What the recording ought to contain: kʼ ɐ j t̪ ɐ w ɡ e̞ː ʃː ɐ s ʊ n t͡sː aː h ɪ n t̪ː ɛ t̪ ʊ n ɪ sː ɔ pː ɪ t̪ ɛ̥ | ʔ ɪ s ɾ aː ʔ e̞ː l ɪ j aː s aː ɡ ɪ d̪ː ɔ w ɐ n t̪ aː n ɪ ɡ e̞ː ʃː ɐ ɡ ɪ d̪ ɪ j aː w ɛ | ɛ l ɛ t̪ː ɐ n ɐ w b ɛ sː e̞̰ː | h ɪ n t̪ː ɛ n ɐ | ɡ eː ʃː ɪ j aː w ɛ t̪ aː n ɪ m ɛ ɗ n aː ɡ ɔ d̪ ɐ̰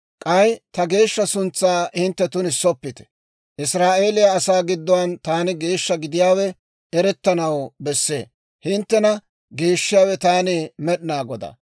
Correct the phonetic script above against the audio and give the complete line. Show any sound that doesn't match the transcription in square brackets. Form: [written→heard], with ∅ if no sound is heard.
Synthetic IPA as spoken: kʼ ɐ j t̪ ɐ [w→∅] ɡ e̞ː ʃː ɐ s ʊ n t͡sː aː h ɪ n t̪ː ɛ t̪ ʊ n ɪ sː ɔ pː ɪ t̪ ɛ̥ | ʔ ɪ s ɾ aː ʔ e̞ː l ɪ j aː s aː ɡ ɪ d̪ː ɔ w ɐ n t̪ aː n ɪ ɡ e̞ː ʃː ɐ ɡ ɪ d̪ ɪ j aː w ɛ | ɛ [l→ɾ] ɛ t̪ː ɐ n ɐ w b ɛ sː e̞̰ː | h ɪ n t̪ː ɛ n ɐ | ɡ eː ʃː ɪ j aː w ɛ t̪ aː n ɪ m ɛ ɗ n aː ɡ ɔ d̪ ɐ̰